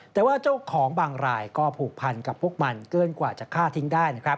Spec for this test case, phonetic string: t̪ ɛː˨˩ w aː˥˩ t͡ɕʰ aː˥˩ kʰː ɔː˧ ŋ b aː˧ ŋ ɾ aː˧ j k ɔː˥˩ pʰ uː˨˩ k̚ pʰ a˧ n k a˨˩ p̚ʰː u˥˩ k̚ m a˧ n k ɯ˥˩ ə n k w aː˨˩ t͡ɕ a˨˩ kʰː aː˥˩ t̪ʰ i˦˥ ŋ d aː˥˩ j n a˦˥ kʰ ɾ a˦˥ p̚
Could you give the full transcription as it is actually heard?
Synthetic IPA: t̪ ɛː˨˩ w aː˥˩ t͡ɕ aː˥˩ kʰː ɔː˩˦ ŋ b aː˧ ŋ ɾ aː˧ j k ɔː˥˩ pʰ uː˨˩ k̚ pʰ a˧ n k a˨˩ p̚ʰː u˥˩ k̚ m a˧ n k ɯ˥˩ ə n k w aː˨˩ t͡ɕ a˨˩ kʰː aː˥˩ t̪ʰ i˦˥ ŋ d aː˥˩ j n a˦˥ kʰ ɾ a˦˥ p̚